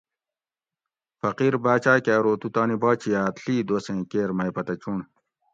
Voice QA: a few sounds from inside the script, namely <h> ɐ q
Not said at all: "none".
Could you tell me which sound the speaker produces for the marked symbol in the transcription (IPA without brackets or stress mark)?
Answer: f